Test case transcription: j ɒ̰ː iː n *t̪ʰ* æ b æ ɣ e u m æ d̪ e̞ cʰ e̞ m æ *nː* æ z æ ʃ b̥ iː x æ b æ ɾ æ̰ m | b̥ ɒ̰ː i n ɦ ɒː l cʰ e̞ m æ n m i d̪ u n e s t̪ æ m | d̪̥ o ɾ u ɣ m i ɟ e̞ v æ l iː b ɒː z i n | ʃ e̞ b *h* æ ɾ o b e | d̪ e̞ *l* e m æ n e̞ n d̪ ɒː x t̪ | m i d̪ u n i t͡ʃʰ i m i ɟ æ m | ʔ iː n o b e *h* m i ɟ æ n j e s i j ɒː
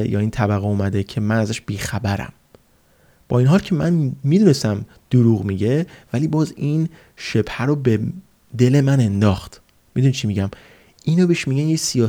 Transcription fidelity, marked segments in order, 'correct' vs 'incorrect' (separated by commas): correct, incorrect, correct, correct, incorrect